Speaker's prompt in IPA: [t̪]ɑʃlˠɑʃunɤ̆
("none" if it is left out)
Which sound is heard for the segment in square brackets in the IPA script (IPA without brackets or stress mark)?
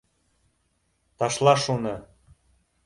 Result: t̪